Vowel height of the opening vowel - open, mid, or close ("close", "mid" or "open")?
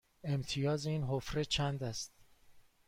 mid